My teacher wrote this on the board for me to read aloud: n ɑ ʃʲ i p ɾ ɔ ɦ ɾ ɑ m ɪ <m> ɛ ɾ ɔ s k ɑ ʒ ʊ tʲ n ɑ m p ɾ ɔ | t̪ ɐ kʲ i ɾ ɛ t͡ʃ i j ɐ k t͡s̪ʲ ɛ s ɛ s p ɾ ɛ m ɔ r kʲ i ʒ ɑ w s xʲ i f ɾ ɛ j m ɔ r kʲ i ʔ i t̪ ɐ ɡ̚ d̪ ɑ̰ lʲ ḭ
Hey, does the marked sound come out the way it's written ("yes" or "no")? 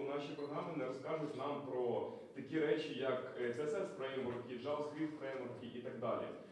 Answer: no